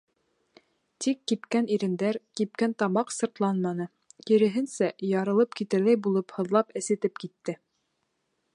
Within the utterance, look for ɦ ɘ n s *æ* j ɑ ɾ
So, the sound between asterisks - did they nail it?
yes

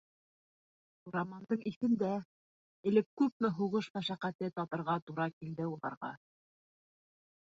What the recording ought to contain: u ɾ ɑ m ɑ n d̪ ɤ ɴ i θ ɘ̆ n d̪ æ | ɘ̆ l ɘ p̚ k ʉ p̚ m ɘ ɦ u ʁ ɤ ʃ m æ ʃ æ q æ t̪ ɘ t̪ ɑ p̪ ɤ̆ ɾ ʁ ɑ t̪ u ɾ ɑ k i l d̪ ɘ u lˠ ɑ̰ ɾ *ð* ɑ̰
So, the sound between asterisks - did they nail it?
no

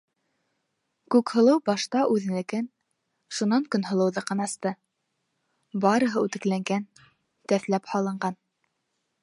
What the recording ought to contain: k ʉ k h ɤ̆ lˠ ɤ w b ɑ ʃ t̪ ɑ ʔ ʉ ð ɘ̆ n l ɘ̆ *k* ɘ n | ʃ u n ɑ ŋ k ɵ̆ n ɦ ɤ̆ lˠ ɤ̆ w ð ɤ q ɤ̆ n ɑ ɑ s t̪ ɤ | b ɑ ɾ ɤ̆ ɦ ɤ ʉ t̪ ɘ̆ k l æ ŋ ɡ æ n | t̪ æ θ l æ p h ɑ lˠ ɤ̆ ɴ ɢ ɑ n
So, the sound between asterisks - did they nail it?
yes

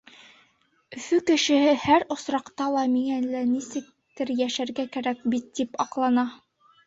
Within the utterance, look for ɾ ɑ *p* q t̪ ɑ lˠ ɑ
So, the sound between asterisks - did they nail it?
no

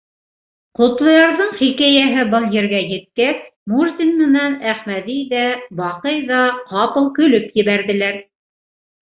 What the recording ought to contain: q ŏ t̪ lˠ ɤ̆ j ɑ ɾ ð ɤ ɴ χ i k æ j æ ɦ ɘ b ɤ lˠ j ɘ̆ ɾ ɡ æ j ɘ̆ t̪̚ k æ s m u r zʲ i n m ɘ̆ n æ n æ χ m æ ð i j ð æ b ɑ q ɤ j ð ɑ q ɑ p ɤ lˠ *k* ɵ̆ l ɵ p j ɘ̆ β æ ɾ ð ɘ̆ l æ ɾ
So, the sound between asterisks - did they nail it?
yes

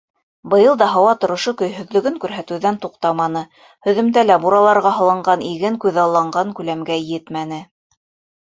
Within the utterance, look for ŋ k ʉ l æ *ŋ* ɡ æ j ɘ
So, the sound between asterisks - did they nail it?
no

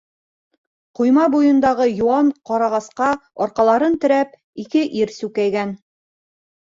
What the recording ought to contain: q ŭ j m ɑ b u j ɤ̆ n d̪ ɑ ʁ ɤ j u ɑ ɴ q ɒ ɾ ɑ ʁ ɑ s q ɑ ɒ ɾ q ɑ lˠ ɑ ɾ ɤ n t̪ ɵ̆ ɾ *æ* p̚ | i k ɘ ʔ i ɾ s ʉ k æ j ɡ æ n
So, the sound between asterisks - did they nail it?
yes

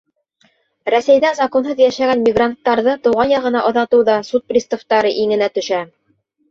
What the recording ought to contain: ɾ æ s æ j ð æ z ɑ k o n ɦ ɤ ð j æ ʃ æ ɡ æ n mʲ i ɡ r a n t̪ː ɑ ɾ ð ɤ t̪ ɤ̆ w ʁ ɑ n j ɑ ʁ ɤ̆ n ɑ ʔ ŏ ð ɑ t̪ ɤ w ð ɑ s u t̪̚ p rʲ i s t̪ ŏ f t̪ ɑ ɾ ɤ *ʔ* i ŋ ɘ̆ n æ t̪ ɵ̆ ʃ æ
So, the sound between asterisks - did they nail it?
yes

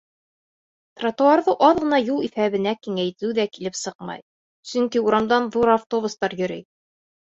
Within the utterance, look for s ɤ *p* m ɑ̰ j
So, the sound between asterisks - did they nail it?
no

